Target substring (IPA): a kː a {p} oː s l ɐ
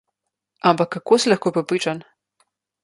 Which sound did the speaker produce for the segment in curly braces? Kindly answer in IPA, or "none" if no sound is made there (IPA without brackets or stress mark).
k